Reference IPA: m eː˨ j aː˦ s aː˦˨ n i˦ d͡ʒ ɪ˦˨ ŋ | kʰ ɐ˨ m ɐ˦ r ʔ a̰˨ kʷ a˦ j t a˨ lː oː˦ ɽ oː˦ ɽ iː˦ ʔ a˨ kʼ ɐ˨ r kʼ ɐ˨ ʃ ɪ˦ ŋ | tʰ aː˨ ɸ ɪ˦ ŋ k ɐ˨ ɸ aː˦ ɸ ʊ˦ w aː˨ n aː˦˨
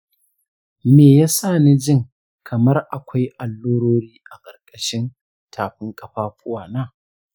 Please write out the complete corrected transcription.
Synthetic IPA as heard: m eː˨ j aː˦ s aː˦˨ n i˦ d͡ʒ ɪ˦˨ ŋ | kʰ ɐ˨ m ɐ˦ r ʔ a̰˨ kʷ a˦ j ʔ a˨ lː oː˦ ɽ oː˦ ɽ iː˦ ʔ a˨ kʼ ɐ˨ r kʼ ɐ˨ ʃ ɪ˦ n | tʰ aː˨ ɸ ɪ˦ ŋ kʼ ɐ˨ ɸ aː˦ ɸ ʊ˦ w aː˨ n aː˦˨